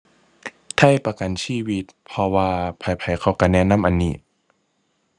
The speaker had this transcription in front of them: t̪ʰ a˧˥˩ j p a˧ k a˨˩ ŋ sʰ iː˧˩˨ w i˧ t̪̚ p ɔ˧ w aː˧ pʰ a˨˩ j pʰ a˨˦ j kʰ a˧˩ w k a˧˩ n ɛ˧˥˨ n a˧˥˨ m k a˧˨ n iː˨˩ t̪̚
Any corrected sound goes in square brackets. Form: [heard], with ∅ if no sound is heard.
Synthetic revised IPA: t̪ʰ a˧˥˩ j p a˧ k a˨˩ [n] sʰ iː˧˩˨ w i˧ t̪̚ [pʰ] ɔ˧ w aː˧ pʰ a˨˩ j pʰ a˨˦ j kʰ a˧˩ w k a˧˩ n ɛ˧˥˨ n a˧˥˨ m [ʔ] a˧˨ n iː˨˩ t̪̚

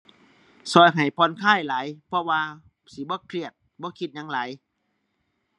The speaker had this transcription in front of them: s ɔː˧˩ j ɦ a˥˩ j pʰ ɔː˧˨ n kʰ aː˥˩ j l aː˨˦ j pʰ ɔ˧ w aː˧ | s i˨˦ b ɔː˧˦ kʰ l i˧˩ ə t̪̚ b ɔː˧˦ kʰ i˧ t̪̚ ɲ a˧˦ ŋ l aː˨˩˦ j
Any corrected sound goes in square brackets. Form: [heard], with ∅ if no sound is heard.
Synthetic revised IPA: s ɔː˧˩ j ɦ [a˨˩] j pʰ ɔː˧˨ n kʰ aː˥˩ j l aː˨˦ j pʰ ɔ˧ w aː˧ | s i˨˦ b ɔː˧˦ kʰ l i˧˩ ə t̪̚ b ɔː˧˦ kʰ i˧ t̪̚ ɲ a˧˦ ŋ l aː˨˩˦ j

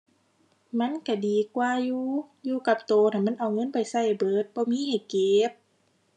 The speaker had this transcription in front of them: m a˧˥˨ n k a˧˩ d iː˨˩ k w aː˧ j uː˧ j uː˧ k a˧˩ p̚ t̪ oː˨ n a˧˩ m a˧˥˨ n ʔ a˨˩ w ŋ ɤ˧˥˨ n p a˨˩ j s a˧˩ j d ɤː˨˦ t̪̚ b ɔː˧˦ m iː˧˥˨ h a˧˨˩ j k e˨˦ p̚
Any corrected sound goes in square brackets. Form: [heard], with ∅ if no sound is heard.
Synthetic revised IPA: m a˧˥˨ n k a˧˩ d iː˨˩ k w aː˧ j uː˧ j uː˧ k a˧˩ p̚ t̪ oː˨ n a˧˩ m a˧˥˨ n ʔ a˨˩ w ŋ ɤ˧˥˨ n p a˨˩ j s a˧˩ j [b] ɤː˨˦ t̪̚ b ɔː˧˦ m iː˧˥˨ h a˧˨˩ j k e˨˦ p̚

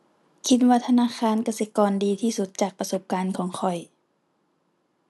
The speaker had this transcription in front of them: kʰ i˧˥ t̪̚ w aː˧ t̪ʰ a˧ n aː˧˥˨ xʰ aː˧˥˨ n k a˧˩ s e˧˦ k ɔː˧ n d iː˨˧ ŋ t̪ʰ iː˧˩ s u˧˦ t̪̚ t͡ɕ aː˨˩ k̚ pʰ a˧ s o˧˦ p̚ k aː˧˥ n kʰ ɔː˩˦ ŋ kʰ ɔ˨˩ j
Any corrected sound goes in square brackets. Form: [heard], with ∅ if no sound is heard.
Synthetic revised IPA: kʰ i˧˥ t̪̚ w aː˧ t̪ʰ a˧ n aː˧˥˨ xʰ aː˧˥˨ n k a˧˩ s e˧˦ k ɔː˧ n d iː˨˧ [∅] t̪ʰ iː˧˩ s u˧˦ t̪̚ t͡ɕ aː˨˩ k̚ [p] a˧ s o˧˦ p̚ k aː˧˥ n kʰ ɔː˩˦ ŋ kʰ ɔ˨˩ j

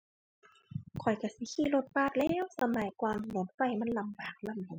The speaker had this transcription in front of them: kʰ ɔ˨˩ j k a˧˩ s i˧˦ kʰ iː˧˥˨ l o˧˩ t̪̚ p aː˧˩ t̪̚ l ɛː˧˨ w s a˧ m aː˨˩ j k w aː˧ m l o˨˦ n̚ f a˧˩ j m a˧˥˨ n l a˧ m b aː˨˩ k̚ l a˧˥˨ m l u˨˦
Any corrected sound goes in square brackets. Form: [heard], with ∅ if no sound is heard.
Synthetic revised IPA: kʰ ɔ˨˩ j k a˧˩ s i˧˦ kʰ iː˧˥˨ l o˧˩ t̪̚ p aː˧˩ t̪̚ l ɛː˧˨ w s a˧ m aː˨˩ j k w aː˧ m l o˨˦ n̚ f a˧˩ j m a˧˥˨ n l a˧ m b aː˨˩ k̚ l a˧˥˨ m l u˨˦

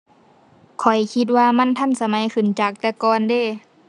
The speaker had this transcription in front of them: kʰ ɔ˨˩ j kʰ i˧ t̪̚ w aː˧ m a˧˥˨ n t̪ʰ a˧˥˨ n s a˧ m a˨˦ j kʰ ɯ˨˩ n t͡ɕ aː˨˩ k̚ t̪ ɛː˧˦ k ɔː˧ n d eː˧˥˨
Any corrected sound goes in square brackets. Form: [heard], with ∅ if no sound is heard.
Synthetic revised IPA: kʰ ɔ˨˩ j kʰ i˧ t̪̚ w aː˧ m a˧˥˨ n t̪ʰ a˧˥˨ n s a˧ m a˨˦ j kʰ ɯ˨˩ n t͡ɕ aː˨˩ k̚ t̪ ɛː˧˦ k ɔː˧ n d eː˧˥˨

